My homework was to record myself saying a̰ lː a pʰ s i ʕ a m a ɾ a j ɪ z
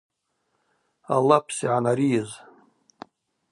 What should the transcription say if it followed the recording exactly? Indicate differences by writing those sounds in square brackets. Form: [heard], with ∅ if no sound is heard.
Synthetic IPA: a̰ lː a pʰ s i ʕ a [n] a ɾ [i] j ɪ z